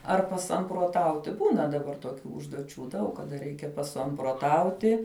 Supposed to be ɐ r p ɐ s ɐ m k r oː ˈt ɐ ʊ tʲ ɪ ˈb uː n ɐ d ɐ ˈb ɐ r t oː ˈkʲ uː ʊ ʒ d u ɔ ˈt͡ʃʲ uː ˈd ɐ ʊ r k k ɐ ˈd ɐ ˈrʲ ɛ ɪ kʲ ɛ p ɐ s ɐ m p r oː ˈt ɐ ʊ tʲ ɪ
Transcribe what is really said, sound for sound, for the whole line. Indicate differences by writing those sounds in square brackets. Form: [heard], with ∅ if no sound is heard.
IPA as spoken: ɐ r p ɐ s ɐ m [p] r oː ˈt ɐ ʊ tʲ ɪ ˈb uː n ɐ d ɐ ˈb ɐ r t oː ˈkʲ uː ʊ ʒ d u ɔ ˈt͡ʃʲ uː ˈd ɐ ʊ [∅] k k ɐ ˈd ɐ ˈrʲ ɛ ɪ kʲ ɛ p ɐ s ɐ m p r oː ˈt ɐ ʊ tʲ ɪ